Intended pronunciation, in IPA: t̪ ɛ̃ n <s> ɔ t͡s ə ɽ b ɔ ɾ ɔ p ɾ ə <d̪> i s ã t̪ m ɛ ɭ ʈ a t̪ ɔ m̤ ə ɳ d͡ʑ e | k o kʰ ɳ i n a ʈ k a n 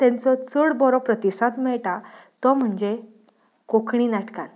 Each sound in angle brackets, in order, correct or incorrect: incorrect: t͡s, incorrect: t̪

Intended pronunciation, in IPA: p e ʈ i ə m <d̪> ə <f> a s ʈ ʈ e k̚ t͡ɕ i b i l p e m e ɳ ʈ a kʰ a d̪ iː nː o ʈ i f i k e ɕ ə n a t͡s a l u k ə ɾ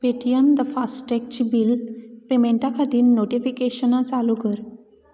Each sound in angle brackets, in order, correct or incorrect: correct, correct

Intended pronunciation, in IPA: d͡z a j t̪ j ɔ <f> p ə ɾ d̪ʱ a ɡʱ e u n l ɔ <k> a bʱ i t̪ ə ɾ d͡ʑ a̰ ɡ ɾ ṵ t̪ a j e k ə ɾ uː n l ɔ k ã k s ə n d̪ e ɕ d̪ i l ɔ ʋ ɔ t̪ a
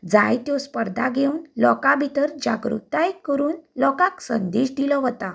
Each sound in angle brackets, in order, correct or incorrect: incorrect: s, correct

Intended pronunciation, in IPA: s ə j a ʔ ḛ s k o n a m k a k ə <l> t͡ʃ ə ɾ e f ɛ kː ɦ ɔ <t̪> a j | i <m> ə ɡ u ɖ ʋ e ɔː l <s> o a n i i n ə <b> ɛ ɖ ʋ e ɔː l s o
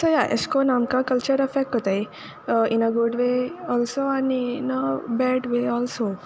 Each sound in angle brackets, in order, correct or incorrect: correct, correct, incorrect: n, correct, correct

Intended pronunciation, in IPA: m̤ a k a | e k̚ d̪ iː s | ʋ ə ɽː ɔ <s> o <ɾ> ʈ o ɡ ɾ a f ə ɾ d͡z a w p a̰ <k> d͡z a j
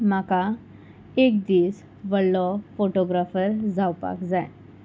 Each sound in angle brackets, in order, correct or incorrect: incorrect: f, incorrect: none, correct

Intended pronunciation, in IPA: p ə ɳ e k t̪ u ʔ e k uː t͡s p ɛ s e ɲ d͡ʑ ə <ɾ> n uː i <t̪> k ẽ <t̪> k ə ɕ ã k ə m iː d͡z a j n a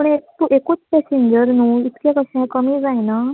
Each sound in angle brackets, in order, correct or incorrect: correct, correct, incorrect: none

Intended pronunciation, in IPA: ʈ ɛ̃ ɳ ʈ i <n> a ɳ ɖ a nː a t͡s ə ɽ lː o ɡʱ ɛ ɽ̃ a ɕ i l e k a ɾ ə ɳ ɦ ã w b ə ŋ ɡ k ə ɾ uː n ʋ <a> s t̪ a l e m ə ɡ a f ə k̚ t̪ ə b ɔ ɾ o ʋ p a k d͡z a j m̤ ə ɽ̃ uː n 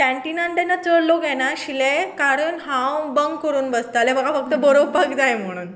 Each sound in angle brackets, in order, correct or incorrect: correct, incorrect: ə

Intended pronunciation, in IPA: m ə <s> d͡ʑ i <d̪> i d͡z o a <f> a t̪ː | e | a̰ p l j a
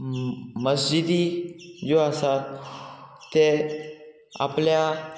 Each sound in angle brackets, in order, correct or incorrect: correct, correct, incorrect: s

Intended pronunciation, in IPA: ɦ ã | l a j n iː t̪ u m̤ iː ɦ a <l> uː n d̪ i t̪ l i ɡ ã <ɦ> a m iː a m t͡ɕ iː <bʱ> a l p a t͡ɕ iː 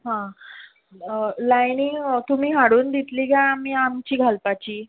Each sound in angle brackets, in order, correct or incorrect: incorrect: ɽ, incorrect: none, incorrect: ɡʱ

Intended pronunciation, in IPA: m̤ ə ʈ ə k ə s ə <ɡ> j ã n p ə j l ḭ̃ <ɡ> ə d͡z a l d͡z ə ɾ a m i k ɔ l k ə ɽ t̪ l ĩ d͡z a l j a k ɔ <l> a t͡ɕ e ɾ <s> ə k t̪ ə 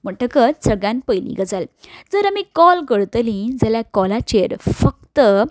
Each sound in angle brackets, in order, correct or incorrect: correct, correct, correct, incorrect: f

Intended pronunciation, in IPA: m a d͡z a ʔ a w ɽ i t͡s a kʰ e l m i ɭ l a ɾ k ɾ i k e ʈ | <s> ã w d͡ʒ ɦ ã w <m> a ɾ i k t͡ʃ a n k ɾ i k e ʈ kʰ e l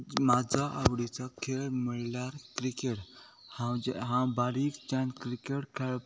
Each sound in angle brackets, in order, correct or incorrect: incorrect: h, incorrect: b

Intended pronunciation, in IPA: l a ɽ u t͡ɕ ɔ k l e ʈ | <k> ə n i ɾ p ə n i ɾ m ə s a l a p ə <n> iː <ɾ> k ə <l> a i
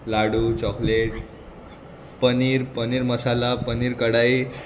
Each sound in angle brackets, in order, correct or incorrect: incorrect: p, correct, correct, incorrect: ɽ

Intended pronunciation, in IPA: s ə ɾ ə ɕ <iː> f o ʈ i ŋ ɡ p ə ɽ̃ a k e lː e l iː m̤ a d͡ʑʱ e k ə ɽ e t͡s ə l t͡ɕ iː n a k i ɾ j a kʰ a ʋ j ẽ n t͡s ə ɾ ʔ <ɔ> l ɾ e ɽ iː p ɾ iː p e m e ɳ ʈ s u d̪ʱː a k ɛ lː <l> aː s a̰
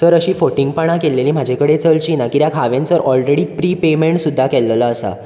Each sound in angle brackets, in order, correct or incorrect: correct, correct, correct

